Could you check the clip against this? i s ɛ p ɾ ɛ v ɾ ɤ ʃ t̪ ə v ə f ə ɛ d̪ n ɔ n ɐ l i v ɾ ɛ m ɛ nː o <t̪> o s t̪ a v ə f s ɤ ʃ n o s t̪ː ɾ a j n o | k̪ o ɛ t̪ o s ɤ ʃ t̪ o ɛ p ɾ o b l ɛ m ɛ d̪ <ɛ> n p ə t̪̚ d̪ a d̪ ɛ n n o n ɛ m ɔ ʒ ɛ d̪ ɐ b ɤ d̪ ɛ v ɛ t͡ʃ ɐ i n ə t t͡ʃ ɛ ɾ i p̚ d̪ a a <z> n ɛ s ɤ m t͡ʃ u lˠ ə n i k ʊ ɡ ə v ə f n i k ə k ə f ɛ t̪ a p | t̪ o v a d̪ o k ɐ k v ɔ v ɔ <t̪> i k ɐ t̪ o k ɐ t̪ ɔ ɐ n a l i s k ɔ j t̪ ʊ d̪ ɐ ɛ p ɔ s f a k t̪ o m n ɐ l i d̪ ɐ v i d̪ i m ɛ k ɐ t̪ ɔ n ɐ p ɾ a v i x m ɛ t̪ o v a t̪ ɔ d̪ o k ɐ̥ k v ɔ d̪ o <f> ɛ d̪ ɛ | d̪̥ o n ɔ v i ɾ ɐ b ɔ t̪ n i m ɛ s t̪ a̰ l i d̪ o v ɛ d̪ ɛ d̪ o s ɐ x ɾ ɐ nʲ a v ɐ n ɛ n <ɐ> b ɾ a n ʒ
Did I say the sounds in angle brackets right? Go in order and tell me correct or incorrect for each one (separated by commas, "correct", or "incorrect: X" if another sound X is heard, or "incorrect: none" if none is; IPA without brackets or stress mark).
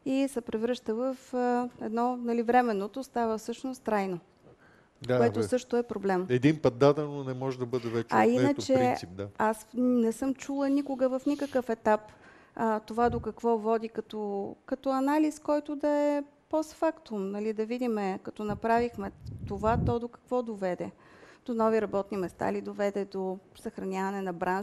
correct, incorrect: i, incorrect: s, incorrect: d̪, incorrect: v, correct